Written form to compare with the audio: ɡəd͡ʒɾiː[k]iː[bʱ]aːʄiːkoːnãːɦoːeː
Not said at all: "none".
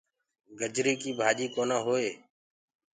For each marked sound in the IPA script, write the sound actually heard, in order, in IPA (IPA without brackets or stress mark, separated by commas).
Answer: k, bʱ